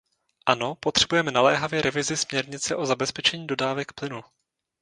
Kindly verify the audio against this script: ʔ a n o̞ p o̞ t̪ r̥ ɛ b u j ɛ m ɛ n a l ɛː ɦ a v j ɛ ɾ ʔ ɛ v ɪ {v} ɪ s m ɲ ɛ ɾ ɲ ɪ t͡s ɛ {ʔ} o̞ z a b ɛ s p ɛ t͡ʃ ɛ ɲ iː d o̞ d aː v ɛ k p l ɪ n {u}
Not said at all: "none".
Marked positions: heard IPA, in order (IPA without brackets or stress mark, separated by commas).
z, ʔ, u